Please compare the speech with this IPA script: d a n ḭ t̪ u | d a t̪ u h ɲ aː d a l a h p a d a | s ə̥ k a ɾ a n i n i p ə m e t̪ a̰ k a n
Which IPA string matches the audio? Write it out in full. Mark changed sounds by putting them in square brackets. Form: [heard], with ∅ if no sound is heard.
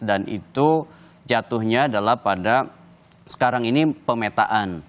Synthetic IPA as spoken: d a n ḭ t̪ u | [d͡ʒ] a t̪ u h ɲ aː d a l a h p a d a | s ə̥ k a ɾ a [ŋ] i n i p ə m e t̪ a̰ [ʔ] a n